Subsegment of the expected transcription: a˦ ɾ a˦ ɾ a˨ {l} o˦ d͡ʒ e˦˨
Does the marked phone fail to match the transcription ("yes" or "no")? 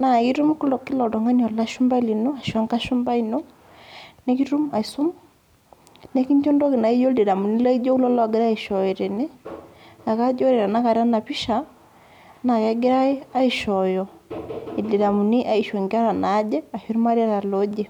no